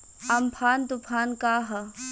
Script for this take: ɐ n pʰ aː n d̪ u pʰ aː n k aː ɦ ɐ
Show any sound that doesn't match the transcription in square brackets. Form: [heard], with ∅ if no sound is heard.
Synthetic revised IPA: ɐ [m] pʰ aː n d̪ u pʰ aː n k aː ɦ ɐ